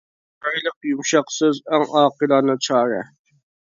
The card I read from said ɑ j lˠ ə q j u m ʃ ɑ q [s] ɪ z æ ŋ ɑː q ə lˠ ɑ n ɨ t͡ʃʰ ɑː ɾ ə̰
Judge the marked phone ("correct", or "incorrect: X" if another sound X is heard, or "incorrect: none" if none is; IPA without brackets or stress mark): correct